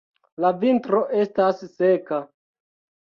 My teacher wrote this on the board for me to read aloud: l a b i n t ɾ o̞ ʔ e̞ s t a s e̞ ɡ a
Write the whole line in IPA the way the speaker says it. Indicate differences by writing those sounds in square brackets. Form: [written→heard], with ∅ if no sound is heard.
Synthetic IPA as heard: l a [b→v] i n t ɾ o̞ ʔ e̞ s t a [s→sː] e̞ [ɡ→k] a